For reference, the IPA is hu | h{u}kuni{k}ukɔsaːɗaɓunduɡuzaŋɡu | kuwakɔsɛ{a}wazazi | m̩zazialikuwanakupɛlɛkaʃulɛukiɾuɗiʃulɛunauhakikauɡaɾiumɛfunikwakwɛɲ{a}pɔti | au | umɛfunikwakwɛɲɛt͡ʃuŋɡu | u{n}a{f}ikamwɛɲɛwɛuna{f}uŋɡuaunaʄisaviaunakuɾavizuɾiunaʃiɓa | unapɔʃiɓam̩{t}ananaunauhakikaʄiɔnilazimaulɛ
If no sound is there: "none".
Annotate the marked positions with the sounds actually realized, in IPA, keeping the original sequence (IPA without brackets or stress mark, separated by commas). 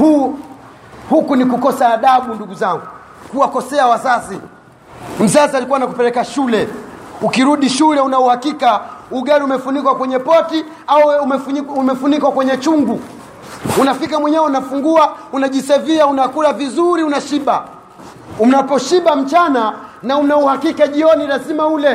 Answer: u, k, a, ɛ, n, f, f, t͡ʃ